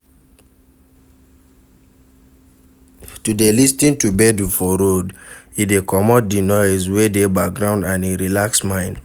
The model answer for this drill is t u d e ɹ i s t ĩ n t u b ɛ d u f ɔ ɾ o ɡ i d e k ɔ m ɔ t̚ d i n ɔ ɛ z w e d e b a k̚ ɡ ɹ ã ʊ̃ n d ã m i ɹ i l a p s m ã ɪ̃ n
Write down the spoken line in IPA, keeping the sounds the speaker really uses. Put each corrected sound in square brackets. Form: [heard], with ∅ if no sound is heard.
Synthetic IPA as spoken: t u d e [l] i s t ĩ n t u b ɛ d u f ɔ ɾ o [d] i d e k ɔ m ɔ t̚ d i n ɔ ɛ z w e d e b a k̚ ɡ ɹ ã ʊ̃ n d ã [n] i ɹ i l a [k] s m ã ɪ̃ n